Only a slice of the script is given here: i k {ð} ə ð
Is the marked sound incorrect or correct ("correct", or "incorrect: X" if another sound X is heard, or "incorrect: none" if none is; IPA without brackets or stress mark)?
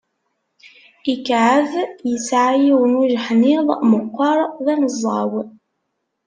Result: incorrect: ʕ